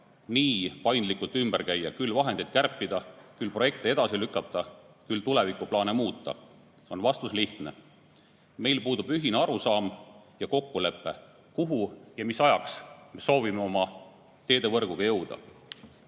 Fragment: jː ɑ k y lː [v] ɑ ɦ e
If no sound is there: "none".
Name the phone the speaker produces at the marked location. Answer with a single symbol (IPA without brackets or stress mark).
v